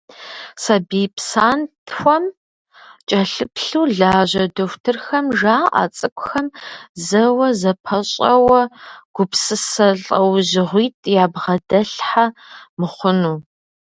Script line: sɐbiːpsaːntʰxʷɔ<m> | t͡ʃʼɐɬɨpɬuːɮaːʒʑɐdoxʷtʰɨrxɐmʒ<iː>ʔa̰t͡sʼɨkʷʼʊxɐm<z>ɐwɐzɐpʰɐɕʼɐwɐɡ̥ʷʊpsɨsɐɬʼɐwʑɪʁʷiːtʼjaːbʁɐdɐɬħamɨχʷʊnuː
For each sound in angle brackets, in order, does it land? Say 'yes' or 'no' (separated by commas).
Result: yes, no, yes